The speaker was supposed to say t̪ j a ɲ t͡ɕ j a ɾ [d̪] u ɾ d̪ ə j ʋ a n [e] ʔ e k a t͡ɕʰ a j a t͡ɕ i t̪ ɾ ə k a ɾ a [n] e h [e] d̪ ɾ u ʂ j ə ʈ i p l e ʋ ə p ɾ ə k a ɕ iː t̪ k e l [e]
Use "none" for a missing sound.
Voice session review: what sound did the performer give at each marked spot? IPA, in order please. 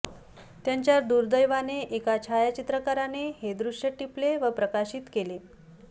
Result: d̪, e, n, e, e

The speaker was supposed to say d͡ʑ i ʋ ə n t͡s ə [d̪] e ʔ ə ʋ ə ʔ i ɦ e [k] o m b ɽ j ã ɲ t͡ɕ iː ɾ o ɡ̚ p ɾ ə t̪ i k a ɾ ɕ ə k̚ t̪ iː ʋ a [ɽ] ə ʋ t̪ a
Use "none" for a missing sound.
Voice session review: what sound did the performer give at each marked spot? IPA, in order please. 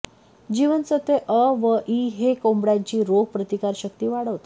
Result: t̪, k, ɽ

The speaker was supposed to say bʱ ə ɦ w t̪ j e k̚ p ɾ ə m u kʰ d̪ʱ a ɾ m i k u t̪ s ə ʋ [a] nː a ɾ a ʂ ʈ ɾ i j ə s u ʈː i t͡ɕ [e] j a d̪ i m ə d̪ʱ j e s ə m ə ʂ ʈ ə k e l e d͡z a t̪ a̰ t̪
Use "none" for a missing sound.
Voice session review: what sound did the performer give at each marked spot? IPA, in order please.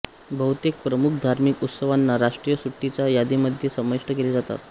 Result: a, a

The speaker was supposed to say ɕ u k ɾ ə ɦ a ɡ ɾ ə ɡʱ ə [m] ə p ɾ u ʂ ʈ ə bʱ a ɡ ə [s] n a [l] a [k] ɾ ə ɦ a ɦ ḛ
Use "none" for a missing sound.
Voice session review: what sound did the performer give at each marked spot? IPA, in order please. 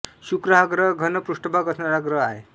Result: n, s, ɾ, ɡ

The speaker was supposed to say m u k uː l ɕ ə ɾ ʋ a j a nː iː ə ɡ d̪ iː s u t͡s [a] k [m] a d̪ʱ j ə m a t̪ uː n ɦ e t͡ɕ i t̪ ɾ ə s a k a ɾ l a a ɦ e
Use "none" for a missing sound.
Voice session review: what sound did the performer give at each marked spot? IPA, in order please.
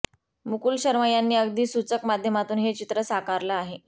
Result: ə, m

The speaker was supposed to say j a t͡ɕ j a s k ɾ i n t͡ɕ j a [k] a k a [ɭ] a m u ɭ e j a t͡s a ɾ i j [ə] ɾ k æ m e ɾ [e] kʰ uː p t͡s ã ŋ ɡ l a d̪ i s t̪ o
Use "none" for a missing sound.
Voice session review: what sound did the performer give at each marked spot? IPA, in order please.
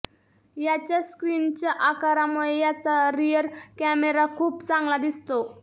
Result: ʔ, ɾ, ə, a

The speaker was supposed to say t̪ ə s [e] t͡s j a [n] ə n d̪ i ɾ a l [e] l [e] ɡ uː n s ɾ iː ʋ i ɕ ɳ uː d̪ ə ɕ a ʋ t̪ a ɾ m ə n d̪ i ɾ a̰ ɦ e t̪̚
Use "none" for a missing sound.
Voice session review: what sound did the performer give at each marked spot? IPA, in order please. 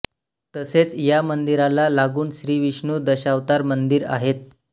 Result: e, m, a, a

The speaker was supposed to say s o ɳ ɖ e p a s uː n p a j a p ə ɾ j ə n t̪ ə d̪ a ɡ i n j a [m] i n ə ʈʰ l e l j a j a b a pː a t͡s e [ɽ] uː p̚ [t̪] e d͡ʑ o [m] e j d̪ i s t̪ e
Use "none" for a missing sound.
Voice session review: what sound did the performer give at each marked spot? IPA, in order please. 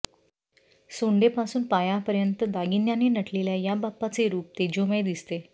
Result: n, ɾ, t̪, m

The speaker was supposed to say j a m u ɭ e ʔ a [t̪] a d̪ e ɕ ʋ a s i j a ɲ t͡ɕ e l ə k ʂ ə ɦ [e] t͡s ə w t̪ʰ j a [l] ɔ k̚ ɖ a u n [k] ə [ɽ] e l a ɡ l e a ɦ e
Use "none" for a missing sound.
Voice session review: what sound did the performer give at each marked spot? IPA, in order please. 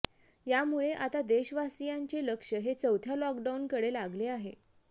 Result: t̪, e, l, k, ɽ

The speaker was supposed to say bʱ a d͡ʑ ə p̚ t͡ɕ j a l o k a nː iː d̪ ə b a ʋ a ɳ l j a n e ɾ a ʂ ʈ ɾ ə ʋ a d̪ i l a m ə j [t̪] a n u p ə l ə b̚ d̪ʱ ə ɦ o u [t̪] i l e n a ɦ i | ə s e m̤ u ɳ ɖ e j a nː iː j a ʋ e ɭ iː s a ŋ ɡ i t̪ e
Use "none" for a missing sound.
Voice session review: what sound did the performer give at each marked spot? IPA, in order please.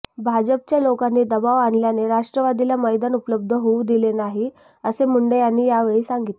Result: d̪, d̪

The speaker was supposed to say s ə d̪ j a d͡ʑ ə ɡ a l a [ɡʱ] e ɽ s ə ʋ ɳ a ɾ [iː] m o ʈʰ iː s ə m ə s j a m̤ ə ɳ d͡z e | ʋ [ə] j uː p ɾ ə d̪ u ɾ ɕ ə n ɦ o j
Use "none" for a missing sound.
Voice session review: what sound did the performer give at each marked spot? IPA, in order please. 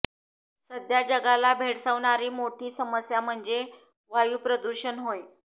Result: bʱ, iː, a

